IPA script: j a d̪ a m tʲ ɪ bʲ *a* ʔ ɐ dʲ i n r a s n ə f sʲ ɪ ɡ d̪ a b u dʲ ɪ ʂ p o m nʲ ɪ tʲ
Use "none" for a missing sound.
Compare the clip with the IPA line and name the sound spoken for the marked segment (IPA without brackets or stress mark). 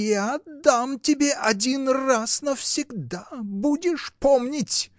e